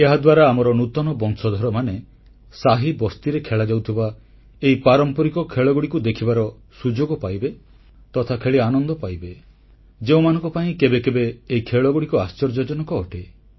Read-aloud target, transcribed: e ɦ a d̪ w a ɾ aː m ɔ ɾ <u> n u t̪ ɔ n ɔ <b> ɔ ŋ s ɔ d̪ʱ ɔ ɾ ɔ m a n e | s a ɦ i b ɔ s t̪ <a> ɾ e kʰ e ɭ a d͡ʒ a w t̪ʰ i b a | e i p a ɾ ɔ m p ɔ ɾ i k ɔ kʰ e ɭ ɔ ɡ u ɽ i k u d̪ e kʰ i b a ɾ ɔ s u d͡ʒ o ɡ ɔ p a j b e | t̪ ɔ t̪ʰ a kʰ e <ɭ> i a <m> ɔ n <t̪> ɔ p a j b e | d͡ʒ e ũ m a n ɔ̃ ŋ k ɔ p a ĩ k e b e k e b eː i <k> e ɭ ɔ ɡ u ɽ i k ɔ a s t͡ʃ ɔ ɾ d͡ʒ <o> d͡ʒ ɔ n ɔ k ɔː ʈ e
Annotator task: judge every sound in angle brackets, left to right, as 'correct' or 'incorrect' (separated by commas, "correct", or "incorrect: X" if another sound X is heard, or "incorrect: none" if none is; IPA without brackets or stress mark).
incorrect: ɔ, correct, incorrect: i, correct, incorrect: n, incorrect: d̪, incorrect: kʰ, incorrect: ɔ